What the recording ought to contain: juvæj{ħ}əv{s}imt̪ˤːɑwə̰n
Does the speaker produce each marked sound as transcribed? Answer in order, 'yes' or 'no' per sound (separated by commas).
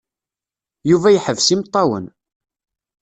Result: yes, yes